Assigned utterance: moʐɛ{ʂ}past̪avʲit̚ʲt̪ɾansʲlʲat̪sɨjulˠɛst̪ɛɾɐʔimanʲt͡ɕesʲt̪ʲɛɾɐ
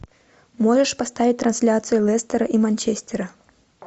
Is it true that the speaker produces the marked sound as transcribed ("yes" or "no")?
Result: yes